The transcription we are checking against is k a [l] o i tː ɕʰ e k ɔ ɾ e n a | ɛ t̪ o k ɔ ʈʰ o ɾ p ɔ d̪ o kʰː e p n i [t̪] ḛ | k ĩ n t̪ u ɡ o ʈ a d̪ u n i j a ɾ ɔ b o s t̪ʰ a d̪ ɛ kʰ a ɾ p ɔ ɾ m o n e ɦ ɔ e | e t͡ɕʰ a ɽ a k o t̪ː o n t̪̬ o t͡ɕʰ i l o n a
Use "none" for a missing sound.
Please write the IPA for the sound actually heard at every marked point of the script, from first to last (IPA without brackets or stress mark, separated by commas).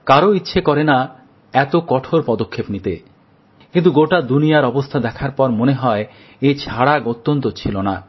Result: ɾ, t̪